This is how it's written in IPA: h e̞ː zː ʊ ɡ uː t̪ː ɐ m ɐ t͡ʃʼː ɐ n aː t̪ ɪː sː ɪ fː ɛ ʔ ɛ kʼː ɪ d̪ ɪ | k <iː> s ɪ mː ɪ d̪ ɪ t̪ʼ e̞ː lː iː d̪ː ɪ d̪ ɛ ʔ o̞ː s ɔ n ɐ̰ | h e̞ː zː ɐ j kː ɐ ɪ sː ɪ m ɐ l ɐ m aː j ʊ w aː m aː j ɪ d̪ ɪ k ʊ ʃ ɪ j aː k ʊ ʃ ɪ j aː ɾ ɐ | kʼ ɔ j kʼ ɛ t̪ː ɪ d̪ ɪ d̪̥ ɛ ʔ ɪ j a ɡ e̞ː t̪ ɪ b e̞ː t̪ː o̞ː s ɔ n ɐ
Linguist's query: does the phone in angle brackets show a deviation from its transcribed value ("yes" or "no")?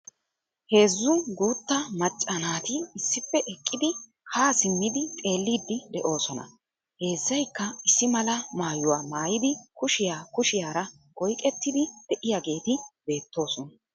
yes